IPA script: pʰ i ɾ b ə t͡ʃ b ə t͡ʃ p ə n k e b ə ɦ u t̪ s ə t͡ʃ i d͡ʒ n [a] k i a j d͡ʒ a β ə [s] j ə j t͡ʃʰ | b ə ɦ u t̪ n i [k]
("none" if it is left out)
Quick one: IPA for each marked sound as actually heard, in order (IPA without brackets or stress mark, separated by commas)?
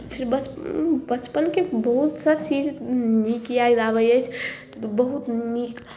i, none, k